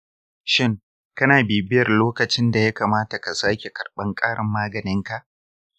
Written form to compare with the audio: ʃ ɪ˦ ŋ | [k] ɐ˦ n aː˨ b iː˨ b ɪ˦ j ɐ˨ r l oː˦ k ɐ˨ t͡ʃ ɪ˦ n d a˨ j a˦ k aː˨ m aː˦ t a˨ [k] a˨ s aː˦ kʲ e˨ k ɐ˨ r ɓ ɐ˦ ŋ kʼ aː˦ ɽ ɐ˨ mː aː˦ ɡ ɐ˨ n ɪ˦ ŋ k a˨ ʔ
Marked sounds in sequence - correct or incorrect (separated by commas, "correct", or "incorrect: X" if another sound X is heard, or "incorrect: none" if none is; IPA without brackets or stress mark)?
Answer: correct, correct